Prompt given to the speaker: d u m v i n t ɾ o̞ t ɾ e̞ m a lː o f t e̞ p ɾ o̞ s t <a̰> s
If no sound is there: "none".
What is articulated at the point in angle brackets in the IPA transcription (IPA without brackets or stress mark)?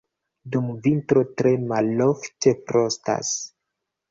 a̰